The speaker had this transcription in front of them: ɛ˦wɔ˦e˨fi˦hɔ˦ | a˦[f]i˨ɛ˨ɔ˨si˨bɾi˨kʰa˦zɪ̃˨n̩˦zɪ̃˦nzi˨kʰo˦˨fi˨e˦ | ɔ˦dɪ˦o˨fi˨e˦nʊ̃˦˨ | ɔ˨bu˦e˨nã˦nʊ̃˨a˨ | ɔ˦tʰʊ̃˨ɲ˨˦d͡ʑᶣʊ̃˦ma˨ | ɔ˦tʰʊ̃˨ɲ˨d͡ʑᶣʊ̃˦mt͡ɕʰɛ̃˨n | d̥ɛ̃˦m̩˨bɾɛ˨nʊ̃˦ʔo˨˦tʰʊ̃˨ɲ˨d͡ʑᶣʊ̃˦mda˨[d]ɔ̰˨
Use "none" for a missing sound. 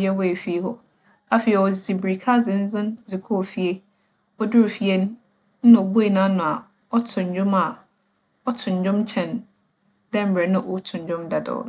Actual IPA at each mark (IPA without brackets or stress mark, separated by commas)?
f, d